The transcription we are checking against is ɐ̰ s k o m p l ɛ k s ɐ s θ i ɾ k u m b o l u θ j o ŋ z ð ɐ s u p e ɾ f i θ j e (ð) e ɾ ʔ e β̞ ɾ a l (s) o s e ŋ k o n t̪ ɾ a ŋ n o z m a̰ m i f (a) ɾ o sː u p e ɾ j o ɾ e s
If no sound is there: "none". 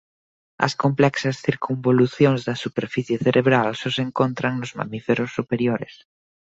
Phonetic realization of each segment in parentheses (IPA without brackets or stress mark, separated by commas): θ, s, e